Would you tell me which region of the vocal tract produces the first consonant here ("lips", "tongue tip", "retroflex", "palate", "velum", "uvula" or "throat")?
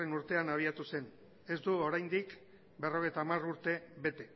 tongue tip